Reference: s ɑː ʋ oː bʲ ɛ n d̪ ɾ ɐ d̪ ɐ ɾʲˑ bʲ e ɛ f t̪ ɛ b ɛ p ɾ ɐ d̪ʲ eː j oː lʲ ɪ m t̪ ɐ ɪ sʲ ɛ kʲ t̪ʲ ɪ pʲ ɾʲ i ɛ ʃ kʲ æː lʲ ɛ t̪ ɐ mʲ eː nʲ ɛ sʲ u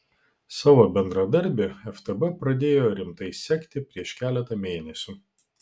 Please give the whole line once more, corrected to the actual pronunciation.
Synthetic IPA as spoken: s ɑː ʋ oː bʲ ɛ n d̪ ɾ ɐ d̪ ɐ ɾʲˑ bʲ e ɛ f t̪ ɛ b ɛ p ɾ ɐ d̪ʲ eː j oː ɾʲ ɪ m t̪ ɐ ɪ sʲ ɛ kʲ t̪ʲ ɪ pʲ ɾʲ i ɛ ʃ kʲ æː lʲ ɛ t̪ ɐ mʲ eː nʲ ɛ sʲ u

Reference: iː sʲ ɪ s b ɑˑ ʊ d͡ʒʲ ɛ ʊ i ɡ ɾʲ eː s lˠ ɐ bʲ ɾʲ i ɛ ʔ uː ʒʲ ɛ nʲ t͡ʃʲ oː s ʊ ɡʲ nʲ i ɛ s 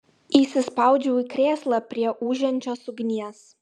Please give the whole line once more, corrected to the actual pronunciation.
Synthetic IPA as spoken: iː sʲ ɪ s p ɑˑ ʊ d͡ʒʲ ɛ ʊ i k ɾʲ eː s lˠ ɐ pʲ ɾʲ i ɛ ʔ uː ʒʲ ɛ nʲ t͡ʃʲ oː s ʊ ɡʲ nʲ i ɛ s

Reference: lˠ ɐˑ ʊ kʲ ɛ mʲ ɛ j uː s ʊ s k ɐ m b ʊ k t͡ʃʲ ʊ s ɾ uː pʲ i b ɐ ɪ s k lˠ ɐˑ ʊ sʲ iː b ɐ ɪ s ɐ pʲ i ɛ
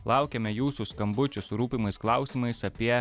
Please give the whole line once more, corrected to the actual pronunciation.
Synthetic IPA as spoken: lˠ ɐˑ ʊ kʲ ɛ mʲ ɛ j uː s ʊ s k ɐ m b ʊ t͡ʃʲ ʊ s ɾ uː pʲ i m ɐ ɪ s k lˠ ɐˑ ʊ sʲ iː m ɐ ɪ s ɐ pʲ i ɛ

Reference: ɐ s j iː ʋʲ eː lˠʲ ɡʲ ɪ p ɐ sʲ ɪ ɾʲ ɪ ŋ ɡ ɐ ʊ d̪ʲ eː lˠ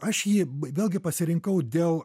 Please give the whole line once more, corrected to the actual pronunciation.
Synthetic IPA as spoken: ɐ ʃ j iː ʋʲ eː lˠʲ ɡʲ ɪ p ɐ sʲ ɪ ɾʲ ɪ ŋ k ɐ ʊ d̪ʲ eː lˠ

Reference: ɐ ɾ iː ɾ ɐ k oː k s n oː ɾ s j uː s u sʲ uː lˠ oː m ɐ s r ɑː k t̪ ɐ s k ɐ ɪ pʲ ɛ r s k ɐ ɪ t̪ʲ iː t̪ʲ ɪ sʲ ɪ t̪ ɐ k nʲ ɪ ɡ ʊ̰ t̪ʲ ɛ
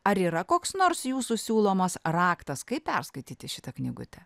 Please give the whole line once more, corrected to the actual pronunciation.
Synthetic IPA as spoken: ɐ ɾ iː ɾ ɐ k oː k s n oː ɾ s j uː s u sʲ uː lˠ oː m ɐ s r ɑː k t̪ ɐ s k ɐ ɪ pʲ ɛ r s k ɐ ɪ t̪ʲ iː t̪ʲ ɪ ʃʲ ɪ t̪ ɐ k nʲ ɪ ɡ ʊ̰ t̪ʲ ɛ

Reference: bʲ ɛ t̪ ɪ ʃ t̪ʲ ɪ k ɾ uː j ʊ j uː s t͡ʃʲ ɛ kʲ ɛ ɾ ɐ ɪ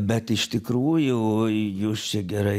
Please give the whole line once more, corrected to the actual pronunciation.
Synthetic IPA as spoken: bʲ ɛ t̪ ɪ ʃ t̪ʲ ɪ k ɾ uː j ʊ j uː s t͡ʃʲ ɛ ɡʲ ɛ ɾ ɐ ɪ

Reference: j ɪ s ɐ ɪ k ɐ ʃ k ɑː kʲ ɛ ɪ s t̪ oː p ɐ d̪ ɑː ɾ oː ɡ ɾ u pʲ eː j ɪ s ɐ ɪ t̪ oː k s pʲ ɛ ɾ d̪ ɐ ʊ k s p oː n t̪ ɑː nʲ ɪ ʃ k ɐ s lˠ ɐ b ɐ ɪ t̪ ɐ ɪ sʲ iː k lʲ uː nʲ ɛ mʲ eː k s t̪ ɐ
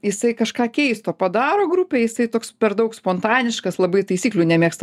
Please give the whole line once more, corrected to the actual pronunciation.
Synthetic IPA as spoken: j ɪ s ɐ ɪ k ɐ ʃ k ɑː kʲ ɛ ɪ s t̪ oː p ɐ d̪ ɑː ɾ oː ɡ ɾ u pʲ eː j ɪ s ɐ ɪ t̪ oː k s pʲ ɛ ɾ d̪ ɐ ʊ k s p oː n t̪ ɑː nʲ ɪ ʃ k ɐ s lˠ ɐ b ɐ ɪ t̪ ɐ ɪ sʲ iː k lʲ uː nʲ ɛ mʲ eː k s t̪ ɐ

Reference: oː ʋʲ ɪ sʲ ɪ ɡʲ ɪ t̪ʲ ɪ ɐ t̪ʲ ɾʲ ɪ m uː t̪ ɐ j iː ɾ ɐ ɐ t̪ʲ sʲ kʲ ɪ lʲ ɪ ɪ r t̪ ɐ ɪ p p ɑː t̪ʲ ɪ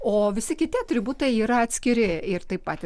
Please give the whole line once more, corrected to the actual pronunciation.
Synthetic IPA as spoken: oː ʋʲ ɪ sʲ ɪ kʲ ɪ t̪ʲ ɪ ɐ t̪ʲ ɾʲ ɪ b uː t̪ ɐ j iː ɾ ɐ ɐ t̪ʲ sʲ kʲ ɪ ɾʲ ɪ ɪ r t̪ ɐ ɪ p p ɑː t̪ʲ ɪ

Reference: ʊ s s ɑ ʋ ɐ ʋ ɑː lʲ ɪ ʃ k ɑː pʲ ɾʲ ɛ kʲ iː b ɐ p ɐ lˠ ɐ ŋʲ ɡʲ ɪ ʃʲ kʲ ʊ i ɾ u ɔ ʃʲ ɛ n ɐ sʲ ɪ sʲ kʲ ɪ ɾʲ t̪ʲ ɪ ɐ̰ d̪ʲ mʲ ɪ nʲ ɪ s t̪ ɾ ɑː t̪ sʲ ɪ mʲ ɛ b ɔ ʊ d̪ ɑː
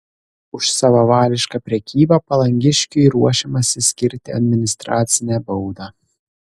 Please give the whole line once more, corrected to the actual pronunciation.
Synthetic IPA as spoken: ʊ ʃ s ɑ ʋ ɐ ʋ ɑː lʲ ɪ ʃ k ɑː pʲ ɾʲ ɛ kʲ iː b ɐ p ɐ lˠ ɐ ŋʲ ɡʲ ɪ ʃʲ kʲ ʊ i ɾ u ɔ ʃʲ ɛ m ɐ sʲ ɪ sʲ kʲ ɪ ɾʲ t̪ʲ ɪ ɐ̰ d̪ʲ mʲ ɪ nʲ ɪ s t̪ ɾ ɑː t̪ sʲ ɪ nʲ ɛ b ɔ ʊ d̪ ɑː

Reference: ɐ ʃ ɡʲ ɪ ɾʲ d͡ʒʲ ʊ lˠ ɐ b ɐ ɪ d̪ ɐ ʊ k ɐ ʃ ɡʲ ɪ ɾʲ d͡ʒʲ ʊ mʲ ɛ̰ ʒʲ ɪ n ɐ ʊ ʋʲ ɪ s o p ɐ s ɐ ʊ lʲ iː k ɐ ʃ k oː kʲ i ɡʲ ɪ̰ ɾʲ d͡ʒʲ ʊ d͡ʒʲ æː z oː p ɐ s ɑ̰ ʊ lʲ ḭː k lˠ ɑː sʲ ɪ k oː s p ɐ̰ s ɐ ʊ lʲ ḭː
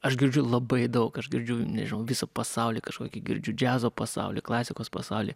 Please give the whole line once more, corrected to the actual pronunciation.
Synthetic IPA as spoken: ɐ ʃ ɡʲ ɪ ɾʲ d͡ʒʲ ʊ lˠ ɐ b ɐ ɪ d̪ ɐ ʊ k ɐ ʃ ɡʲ ɪ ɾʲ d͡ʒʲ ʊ nʲ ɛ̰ ʒʲ ɪ n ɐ ʊ ʋʲ ɪ s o p ɐ s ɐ ʊ lʲ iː k ɐ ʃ k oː kʲ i ɡʲ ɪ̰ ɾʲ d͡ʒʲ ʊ d͡ʒʲ æː z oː p ɐ s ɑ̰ ʊ lʲ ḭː k lˠ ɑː sʲ ɪ k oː s p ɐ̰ s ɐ ʊ lʲ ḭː

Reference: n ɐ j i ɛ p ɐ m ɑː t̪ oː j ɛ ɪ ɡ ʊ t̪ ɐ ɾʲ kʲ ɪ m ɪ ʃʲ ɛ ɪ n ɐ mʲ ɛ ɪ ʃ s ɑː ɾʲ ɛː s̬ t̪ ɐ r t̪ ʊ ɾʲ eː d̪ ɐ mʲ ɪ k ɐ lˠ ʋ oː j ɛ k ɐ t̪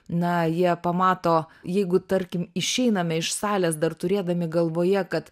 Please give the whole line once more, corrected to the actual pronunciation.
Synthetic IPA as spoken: n ɐ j i ɛ p ɐ m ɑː t̪ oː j ɛ ɪ ɡ ʊ t̪ ɐ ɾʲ kʲ ɪ m ɪ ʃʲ ɛ ɪ n ɐ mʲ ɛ ɪ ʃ s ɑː lʲ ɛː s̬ d̪ ɐ r t̪ ʊ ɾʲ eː d̪ ɐ mʲ ɪ ɡ ɐ lˠ ʋ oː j ɛ k ɐ t̪

